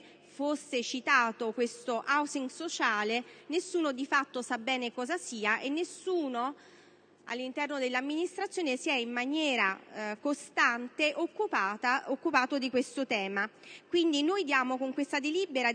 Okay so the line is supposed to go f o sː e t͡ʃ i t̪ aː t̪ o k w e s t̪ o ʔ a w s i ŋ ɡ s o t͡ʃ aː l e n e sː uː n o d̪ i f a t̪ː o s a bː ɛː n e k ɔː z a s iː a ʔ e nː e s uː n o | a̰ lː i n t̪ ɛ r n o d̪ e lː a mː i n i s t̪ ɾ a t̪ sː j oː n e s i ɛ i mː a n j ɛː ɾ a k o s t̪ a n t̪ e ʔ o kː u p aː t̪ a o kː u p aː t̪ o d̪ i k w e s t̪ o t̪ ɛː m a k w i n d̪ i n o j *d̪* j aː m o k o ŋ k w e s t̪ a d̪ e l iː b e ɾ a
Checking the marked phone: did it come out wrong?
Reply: no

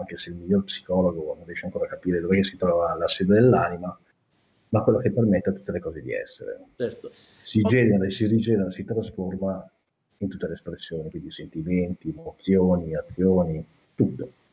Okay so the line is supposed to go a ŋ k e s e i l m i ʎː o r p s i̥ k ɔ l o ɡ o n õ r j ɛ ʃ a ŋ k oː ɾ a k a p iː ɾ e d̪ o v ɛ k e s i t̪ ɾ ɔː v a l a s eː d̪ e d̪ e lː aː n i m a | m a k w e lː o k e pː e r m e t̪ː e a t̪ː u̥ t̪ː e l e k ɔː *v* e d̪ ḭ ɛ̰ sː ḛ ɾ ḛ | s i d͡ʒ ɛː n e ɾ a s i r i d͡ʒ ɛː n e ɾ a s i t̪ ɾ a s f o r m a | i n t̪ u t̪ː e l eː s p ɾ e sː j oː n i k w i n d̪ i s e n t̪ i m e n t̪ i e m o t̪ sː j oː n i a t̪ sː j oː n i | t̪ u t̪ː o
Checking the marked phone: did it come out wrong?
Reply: yes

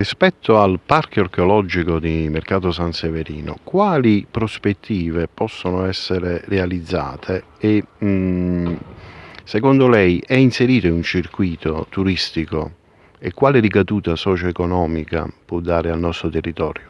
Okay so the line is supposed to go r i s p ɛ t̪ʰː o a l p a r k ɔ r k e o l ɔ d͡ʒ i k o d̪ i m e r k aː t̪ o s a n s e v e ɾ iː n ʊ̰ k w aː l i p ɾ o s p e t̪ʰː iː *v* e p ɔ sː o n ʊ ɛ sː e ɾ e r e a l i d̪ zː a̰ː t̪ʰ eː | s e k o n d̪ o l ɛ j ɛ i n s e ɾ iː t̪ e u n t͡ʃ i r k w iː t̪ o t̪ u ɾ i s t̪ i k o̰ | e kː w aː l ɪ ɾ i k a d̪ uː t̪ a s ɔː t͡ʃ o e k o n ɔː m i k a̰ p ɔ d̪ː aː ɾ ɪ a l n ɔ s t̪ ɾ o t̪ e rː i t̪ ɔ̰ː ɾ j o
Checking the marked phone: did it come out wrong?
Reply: no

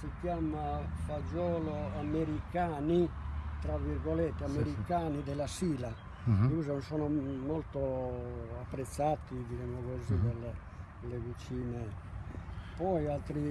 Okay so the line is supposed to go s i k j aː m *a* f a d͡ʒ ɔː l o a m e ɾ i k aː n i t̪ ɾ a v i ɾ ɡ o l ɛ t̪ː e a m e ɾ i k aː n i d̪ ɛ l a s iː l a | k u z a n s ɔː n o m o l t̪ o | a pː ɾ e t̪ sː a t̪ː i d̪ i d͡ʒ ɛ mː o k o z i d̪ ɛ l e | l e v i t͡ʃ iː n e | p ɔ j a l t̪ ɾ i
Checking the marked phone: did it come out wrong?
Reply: no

